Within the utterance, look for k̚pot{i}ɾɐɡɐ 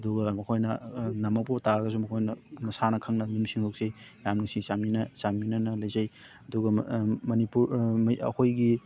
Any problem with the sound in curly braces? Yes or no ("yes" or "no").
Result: yes